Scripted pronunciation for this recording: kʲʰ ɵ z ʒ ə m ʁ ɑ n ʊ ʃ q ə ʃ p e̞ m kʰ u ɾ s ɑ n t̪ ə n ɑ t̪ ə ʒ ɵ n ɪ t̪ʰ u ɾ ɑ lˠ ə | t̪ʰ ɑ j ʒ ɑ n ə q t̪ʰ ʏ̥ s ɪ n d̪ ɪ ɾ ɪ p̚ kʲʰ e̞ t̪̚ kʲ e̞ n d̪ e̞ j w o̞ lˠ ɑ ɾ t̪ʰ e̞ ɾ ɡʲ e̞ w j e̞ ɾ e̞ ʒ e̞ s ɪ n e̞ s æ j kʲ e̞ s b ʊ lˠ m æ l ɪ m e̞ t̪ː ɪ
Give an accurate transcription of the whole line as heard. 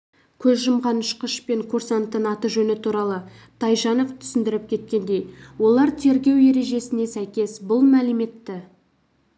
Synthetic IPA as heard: kʲʰ ɵ z ʒ ə m ʁ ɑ n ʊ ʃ q ə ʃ p e̞ ŋ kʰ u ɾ s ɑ n t̪ ə n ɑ t̪ ə ʒ ɵ n ɪ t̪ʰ u ɾ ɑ lˠ ə | t̪ʰ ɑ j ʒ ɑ n ə q t̪ʰ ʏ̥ s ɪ n d̪ ɪ ɾ ɪ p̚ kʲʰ e̞ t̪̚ kʲ e̞ n d̪ e̞ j w o̞ lˠ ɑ ɾ t̪ʰ e̞ ɾ ɡʲ e̞ w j e̞ ɾ e̞ ʒ e̞ s ɪ n e̞ s æ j kʲ e̞ s b ʊ lˠ m æ l ɪ m e̞ t̪ː ɪ